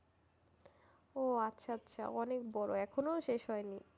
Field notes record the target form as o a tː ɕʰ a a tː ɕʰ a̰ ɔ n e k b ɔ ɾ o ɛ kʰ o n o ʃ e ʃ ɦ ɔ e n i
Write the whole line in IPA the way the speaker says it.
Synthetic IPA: o a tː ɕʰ a a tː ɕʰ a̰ ɔ n e k b ɔ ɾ o ɛ kʰ o n o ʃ e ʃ ɦ ɔ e n i